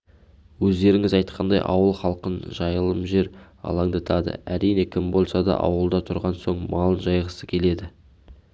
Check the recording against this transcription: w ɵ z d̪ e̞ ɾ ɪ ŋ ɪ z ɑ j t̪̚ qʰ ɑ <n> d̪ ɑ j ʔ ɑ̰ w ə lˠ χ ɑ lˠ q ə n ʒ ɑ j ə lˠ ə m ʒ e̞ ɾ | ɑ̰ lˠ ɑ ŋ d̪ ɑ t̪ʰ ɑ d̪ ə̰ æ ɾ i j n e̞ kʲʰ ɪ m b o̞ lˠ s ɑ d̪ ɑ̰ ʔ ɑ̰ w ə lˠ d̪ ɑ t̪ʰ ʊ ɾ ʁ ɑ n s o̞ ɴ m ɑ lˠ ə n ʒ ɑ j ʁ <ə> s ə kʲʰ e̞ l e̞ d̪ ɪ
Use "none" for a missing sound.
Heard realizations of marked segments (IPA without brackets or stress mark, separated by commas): n, ə